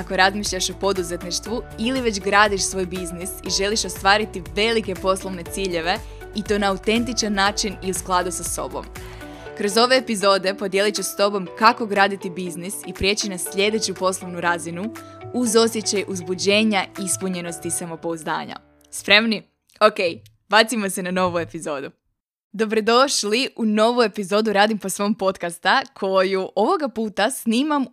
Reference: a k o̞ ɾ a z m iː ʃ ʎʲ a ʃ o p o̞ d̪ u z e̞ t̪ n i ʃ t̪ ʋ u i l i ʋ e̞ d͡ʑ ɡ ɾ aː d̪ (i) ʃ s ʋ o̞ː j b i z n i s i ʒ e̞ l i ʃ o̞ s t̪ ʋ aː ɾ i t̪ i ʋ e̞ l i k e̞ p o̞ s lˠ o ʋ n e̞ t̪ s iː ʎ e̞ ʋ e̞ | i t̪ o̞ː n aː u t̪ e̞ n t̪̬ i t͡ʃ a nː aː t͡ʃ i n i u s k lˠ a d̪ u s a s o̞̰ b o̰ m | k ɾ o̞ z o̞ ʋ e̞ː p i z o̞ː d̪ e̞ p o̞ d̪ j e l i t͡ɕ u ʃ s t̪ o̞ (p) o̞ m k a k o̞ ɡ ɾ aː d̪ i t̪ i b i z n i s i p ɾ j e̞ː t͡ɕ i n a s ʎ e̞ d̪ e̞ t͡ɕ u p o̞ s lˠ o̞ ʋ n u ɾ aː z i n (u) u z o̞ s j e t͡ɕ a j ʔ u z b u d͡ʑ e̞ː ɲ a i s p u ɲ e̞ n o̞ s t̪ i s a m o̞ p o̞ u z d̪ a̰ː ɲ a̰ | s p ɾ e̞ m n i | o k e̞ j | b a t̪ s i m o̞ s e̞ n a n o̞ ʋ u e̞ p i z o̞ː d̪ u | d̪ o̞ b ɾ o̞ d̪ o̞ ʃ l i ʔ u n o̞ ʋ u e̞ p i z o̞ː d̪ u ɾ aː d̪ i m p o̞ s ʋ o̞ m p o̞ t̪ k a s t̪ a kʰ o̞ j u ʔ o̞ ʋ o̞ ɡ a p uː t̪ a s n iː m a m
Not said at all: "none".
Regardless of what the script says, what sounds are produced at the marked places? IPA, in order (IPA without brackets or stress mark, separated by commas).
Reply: i, b, u